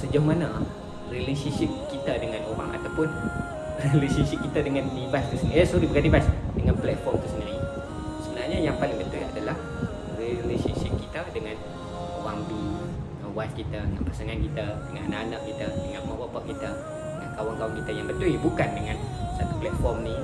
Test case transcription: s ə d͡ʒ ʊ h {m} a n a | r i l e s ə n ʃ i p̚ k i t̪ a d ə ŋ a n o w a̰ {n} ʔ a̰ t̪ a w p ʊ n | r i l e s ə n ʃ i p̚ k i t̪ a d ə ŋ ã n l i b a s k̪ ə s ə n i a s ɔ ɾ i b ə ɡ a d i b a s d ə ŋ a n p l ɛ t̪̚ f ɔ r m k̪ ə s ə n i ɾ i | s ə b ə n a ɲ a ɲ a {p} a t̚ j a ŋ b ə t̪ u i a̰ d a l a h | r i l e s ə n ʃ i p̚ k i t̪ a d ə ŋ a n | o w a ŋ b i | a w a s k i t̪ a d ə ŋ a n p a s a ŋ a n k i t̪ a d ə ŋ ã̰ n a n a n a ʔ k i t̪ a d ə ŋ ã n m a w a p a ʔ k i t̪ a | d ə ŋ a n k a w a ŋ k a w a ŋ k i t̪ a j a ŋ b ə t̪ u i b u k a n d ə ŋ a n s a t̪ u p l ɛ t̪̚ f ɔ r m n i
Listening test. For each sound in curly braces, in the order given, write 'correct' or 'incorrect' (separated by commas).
correct, incorrect, correct